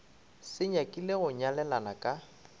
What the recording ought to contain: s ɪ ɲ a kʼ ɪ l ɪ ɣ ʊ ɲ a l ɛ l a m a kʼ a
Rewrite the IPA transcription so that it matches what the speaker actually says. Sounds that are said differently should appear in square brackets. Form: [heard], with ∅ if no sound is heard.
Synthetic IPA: s ɪ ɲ a kʼ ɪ l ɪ ɣ ʊ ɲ a l ɛ l a [n] a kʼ a